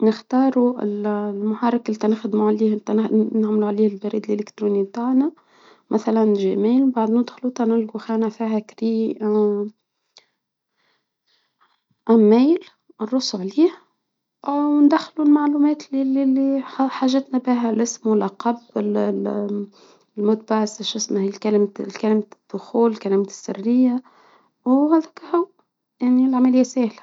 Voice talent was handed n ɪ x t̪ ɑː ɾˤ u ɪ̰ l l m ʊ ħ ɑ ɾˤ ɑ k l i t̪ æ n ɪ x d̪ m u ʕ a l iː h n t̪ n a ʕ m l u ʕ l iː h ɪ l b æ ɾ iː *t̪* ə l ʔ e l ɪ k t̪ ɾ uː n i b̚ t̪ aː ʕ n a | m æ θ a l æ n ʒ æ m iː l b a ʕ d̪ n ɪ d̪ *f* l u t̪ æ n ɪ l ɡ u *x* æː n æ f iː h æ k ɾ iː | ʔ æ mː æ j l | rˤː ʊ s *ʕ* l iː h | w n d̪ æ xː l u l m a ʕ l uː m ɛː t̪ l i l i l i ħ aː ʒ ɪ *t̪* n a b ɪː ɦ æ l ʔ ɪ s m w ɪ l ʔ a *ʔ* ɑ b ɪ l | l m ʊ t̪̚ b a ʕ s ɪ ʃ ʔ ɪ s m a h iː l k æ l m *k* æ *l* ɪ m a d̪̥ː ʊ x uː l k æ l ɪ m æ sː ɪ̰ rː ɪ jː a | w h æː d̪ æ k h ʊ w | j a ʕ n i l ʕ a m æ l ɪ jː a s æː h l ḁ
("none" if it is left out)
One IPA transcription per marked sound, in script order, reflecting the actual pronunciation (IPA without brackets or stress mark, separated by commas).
d̪, x, x, ʕ, t̪, q, k, l